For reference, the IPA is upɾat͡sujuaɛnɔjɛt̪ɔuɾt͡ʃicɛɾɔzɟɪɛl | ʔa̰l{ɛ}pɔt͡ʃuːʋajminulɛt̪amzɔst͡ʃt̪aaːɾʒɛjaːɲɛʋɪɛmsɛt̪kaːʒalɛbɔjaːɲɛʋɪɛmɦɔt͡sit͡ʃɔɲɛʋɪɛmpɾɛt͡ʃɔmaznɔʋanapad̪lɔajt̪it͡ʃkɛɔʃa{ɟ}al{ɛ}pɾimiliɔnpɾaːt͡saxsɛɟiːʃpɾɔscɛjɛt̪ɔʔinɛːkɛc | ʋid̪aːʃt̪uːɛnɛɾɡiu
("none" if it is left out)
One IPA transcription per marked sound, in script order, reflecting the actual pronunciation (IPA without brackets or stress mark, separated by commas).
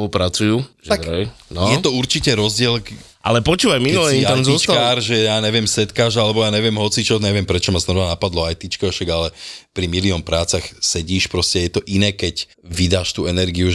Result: ɛ, ɡ, ɛ